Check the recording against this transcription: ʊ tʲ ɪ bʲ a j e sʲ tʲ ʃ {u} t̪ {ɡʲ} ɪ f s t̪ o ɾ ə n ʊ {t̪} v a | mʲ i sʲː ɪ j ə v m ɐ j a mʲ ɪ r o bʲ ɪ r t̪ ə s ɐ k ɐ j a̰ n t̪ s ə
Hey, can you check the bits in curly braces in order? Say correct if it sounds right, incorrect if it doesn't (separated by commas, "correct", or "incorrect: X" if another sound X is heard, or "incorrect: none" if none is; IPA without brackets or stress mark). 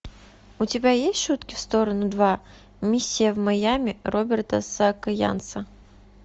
correct, incorrect: kʲ, incorrect: d̪